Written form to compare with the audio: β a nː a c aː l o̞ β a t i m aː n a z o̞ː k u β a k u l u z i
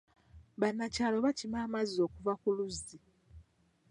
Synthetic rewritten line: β a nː a c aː l o̞ β a c i m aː m a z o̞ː k u v a k u l u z i